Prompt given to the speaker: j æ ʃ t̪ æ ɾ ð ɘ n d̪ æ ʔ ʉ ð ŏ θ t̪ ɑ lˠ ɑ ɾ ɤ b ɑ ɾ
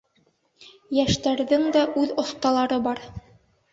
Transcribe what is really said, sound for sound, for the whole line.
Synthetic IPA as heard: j æ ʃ t̪ æ ɾ ð ɘ ŋ d̪ æ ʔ ʉ ð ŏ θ t̪ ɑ lˠ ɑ ɾ ɤ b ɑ ɾ